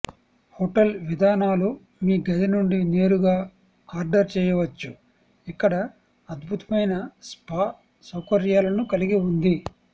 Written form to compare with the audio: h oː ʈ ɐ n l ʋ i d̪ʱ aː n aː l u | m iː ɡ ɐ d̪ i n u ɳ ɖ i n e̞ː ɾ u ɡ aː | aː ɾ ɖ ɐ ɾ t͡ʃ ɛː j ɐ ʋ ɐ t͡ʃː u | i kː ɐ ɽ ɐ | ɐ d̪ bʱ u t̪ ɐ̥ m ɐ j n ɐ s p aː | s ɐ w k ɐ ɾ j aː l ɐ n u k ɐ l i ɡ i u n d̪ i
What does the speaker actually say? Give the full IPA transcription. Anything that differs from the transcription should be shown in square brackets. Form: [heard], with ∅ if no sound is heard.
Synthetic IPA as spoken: h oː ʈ ɐ [∅] l ʋ i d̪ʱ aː n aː l u | m iː ɡ ɐ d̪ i n u ɳ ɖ i n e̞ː ɾ u ɡ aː | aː ɾ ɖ ɐ ɾ t͡ʃ ɛː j ɐ ʋ ɐ t͡ʃː u | i kː ɐ ɽ ɐ | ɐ d̪ bʱ u t̪ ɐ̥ m ɐ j n ɐ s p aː | s ɐ w k ɐ ɾ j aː l ɐ n u k ɐ l i ɡ i u n d̪ i